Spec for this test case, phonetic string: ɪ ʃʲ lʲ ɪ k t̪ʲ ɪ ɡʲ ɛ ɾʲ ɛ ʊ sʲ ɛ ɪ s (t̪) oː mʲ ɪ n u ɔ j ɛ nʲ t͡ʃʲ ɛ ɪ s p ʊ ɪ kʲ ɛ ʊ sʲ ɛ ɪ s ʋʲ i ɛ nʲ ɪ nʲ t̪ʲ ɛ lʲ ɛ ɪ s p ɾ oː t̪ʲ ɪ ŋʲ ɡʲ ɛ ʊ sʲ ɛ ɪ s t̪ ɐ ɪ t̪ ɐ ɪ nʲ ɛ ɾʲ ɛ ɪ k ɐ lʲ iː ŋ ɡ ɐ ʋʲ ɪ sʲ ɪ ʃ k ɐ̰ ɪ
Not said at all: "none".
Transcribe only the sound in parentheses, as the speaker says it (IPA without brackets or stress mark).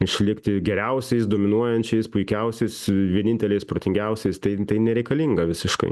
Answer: d̪